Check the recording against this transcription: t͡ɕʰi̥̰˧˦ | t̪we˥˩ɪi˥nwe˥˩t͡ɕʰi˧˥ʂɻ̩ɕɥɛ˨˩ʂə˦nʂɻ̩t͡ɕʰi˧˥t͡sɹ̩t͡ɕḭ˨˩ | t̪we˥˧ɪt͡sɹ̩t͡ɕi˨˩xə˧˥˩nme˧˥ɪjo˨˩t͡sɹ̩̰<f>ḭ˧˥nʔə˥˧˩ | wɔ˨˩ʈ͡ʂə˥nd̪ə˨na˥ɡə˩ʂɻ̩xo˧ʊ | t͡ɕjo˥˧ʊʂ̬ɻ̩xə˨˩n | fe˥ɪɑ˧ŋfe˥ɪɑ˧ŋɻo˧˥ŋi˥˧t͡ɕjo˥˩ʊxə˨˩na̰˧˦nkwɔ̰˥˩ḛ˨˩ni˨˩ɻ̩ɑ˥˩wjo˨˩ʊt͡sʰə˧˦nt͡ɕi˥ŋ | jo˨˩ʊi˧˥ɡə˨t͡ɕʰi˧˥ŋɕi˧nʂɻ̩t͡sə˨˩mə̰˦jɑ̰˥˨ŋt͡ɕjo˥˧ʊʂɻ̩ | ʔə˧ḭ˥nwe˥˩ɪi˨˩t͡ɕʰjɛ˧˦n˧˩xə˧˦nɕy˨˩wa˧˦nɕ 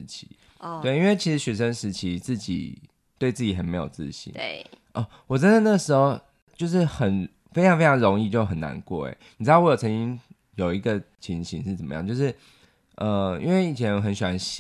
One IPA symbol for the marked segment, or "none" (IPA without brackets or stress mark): ɕ